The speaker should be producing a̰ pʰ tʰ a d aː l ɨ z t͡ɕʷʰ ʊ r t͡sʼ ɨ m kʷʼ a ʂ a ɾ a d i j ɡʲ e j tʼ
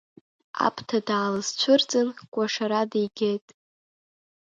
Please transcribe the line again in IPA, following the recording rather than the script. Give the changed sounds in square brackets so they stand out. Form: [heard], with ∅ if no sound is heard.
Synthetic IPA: a̰ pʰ tʰ a d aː l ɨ z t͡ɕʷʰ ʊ r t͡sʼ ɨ [n] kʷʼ a ʂ a ɾ a d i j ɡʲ e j tʼ